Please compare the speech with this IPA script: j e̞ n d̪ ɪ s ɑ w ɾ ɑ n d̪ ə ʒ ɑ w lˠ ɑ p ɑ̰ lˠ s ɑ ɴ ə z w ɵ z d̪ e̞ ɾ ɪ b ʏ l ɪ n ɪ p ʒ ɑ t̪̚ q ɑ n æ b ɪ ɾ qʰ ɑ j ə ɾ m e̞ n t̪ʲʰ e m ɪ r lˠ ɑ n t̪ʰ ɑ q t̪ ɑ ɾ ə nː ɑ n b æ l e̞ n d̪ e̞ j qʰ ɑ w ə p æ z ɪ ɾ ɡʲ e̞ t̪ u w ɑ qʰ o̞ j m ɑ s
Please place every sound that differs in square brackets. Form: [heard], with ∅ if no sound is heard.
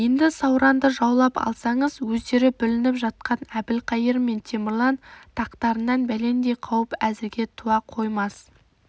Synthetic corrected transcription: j e̞ n d̪ ɪ s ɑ w ɾ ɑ n d̪ ə ʒ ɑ w lˠ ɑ p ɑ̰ lˠ s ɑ ɴ ə z w ɵ z d̪ e̞ ɾ ɪ b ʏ l ɪ n ɪ p ʒ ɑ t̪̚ q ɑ n æ b ɪ [l] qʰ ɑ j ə ɾ m e̞ n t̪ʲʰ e m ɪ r lˠ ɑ n t̪ʰ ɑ q t̪ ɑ ɾ ə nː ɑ n b æ l e̞ n d̪ e̞ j qʰ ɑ w ə p æ z ɪ ɾ ɡʲ e̞ [t̪ʰ] u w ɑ qʰ o̞ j m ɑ s